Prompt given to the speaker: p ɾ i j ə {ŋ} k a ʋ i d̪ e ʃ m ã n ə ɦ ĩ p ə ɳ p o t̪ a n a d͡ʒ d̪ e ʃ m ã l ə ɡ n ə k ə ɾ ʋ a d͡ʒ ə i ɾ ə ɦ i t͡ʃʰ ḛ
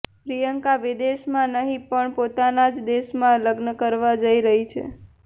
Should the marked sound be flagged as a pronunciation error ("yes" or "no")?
no